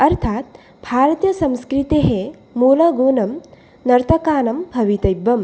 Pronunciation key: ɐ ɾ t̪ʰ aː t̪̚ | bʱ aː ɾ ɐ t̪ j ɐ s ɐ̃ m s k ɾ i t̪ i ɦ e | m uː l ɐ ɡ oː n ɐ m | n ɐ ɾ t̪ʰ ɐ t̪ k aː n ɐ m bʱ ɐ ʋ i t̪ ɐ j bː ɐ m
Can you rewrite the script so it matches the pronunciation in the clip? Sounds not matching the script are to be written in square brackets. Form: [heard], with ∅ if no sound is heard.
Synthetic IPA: ɐ ɾ t̪ʰ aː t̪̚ | bʱ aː ɾ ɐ t̪ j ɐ s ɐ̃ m s k ɾ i t̪ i ɦ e | m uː l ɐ ɡ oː n ɐ m | n ɐ ɾ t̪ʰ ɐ [∅] k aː n ɐ m bʱ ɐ ʋ i t̪ ɐ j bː ɐ m